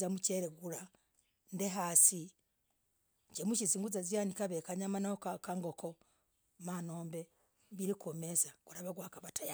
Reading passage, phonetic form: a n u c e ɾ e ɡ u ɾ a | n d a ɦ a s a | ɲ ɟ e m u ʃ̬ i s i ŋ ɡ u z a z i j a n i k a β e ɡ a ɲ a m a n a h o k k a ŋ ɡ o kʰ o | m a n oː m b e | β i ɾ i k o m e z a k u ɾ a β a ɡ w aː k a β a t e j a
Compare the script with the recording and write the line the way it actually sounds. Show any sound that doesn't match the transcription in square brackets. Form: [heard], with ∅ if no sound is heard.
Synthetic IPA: a [m] u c e ɾ e ɡ u ɾ a | n d [e] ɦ a s [i] | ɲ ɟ e m u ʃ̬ i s i ŋ ɡ u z a z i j a n i k a β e [k] a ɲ a m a n a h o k k a ŋ ɡ o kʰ o | m a n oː m b e | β i ɾ i k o m e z a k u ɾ a β a ɡ w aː k a β a t [a] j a